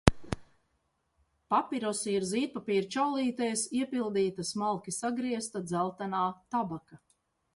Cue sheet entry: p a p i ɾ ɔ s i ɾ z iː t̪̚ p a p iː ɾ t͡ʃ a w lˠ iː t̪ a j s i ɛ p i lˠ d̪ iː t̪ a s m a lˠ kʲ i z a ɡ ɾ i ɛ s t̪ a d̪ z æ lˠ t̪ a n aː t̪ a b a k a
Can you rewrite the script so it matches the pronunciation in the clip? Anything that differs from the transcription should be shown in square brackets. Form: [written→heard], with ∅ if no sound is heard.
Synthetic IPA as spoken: p a p i ɾ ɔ s i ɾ z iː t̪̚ p a p iː ɾ t͡ʃ a w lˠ iː t̪ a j s i ɛ p i lˠ d̪ iː t̪ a s m a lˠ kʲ i [z→s] a ɡ ɾ i ɛ s t̪ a d̪ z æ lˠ t̪ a n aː t̪ a b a k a

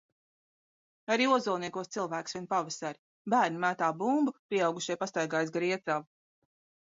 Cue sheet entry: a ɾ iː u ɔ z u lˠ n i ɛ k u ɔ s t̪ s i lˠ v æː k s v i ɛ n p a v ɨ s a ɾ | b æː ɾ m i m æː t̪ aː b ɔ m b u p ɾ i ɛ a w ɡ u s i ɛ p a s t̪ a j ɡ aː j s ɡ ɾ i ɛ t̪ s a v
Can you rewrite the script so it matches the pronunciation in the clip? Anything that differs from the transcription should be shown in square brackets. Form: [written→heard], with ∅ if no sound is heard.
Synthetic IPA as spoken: a ɾ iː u ɔ z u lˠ n i ɛ k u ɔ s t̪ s i lˠ v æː k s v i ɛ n p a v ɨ s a ɾ | b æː ɾ [m→n] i m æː t̪ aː b [ɔ→u] m b u p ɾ i ɛ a w ɡ u [s→ʃ] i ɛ p a s t̪ a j ɡ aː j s ɡ ɾ i ɛ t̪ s a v

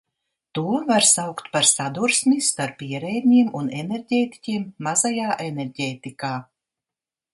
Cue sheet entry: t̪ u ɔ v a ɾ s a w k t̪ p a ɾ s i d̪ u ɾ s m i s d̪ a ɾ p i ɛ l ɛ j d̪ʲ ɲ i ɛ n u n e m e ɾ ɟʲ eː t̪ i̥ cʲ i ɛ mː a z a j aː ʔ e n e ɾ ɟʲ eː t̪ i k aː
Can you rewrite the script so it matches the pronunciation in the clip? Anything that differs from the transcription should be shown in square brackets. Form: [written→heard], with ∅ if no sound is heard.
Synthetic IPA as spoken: t̪ u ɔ v a ɾ s a w k t̪ p a ɾ s [i→a] d̪ u ɾ s m i s [d̪→t̪] a ɾ p i ɛ [l→ɾ] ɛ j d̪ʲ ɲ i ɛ [n→m] u n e [m→n] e ɾ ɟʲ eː t̪ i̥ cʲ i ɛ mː a z a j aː ʔ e n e ɾ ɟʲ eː t̪ i k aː

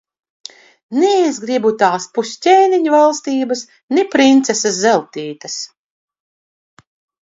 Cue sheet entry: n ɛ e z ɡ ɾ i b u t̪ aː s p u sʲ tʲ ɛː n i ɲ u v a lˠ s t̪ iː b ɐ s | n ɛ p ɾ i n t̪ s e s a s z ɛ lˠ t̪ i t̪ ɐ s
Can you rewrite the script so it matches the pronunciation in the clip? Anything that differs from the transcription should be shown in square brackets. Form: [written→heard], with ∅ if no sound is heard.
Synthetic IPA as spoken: n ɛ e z ɡ ɾ i b u t̪ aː s p u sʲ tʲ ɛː n i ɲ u v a lˠ s t̪ iː b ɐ s | n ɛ p ɾ i n t̪ s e s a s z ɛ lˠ t̪ [i→iː] t̪ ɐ s

